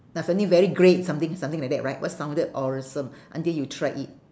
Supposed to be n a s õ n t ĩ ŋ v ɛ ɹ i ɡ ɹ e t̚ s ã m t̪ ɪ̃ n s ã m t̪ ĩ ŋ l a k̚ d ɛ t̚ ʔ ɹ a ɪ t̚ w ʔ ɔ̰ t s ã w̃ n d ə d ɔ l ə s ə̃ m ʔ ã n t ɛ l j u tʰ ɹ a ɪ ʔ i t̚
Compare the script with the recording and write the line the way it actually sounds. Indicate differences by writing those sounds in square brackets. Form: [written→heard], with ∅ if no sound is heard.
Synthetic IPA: n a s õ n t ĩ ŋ v ɛ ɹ i ɡ ɹ e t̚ s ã m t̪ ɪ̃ [n→ŋ] s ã m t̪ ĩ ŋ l a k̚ d ɛ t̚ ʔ ɹ a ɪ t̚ w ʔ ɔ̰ t s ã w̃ n d ə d ɔ [l→ɹ] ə s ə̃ m ʔ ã n t [ɛ→i] l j u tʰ ɹ a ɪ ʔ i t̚